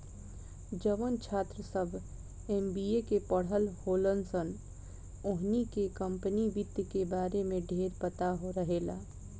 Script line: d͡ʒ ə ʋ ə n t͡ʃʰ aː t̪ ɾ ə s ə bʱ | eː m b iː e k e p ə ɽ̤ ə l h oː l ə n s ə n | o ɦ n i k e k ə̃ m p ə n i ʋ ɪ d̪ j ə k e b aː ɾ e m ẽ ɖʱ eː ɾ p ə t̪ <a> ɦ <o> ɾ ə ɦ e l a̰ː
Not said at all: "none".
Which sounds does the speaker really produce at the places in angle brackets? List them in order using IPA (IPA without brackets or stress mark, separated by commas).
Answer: a, o